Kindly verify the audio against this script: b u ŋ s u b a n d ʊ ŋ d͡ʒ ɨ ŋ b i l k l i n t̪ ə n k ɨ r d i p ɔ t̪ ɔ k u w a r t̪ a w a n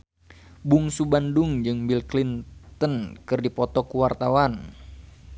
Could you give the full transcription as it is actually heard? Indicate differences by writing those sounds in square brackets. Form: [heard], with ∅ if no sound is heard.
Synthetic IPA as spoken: b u ŋ s u b a n d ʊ ŋ d͡ʒ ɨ ŋ b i l k l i n t̪ ə n k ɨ r d i p ɔ t̪ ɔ k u w a r t̪ a w a n

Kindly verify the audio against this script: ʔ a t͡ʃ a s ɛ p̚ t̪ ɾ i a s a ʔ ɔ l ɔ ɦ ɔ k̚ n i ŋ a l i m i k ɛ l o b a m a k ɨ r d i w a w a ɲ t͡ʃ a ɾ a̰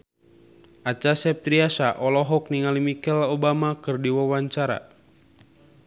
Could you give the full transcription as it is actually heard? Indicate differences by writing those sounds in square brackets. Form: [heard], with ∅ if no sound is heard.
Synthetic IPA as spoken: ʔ a t͡ʃ a s ɛ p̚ t̪ ɾ i a s a ʔ ɔ l ɔ ɦ ɔ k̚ n i ŋ a l i m i k ɛ l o b a m a k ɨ r d i w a w a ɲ t͡ʃ a ɾ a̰

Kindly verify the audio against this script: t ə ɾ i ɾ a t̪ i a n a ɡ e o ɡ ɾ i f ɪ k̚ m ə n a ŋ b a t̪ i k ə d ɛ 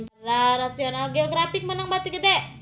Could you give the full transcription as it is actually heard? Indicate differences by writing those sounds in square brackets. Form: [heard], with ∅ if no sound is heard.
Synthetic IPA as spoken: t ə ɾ [a] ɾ a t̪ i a n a ɡ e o ɡ ɾ [a] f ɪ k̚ m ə n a ŋ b a t̪ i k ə d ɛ

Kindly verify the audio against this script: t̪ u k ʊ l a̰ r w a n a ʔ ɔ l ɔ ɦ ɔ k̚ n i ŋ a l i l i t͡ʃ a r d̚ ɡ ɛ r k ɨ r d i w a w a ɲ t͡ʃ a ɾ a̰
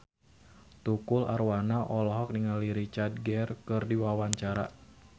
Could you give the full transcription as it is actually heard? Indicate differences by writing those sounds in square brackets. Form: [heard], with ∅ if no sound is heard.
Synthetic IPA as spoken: t̪ u k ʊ l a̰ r w a n a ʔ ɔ l ɔ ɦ ɔ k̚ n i ŋ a l i [ɾ] i t͡ʃ a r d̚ ɡ ɛ r k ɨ r d i w a w a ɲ t͡ʃ a ɾ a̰

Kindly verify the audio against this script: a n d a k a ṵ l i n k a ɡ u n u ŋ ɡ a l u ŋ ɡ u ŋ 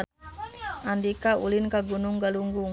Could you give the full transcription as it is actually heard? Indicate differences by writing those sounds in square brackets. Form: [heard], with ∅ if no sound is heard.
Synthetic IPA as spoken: a n d [i] k a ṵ l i n k a ɡ u n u ŋ ɡ a l u ŋ ɡ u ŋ

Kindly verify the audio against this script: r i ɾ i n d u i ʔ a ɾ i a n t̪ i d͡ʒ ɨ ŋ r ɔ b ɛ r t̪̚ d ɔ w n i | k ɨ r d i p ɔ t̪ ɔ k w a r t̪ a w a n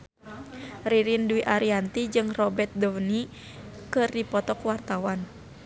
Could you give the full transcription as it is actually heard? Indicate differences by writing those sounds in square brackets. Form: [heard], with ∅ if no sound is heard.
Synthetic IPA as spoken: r i ɾ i n d u i ʔ a ɾ i a n t̪ i d͡ʒ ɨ ŋ r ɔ b ɛ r t̪̚ d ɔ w n i | k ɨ r d i p ɔ t̪ ɔ k w a r t̪ a w a n

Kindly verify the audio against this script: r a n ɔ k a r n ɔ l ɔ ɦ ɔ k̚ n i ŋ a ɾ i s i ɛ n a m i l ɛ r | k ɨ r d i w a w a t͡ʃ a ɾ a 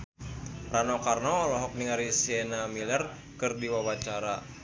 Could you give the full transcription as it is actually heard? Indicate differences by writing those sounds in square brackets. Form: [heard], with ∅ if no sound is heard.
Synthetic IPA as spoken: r a n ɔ k a r n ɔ l ɔ ɦ ɔ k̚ n i ŋ a ɾ i s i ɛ n a m i l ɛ r | k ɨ r d i w a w a t͡ʃ a ɾ a

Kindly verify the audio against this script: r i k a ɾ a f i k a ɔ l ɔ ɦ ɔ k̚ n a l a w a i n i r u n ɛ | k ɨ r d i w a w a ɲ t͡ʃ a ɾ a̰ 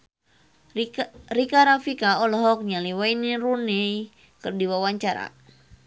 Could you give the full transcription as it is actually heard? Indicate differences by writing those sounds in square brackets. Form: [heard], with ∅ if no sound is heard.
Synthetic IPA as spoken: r i k a ɾ a f i k a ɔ l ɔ ɦ ɔ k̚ [ɲ] a l [i] w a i n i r u n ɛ | k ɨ r d i w a w a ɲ t͡ʃ a ɾ a̰

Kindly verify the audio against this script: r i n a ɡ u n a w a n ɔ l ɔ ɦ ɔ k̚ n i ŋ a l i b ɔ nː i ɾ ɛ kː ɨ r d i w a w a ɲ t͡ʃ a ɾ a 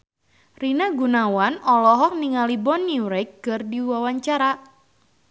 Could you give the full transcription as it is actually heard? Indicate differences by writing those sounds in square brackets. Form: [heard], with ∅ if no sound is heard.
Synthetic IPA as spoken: r i n a ɡ u n a w a n ɔ l ɔ ɦ ɔ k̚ n i ŋ a l i b ɔ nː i ɾ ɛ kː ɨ r d i w a w a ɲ t͡ʃ a ɾ a

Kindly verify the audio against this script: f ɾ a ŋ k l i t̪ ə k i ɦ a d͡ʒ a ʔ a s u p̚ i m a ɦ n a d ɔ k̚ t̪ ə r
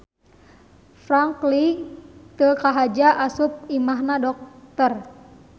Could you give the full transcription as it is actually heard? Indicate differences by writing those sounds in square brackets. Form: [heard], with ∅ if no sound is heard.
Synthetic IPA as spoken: f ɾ a ŋ k l i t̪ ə k [a] ɦ a d͡ʒ a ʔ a s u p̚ i m a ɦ n a d ɔ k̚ t̪ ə r

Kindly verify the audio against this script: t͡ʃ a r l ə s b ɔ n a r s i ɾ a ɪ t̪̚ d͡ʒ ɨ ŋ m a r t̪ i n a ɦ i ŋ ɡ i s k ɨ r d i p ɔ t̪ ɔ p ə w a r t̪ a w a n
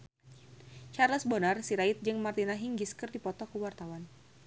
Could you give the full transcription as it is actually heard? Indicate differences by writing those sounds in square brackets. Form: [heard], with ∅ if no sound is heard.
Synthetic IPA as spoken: t͡ʃ a r l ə s b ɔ n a r s i ɾ a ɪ t̪̚ d͡ʒ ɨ ŋ m a r t̪ i n a ɦ i ŋ ɡ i s k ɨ r d i p ɔ t̪ ɔ [k] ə w a r t̪ a w a n

